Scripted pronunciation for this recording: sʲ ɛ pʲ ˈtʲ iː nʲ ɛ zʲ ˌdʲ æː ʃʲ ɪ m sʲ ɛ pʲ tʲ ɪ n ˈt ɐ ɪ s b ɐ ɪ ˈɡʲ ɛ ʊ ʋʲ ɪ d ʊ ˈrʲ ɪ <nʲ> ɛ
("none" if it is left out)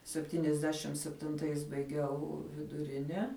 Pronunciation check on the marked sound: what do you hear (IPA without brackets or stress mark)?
nʲ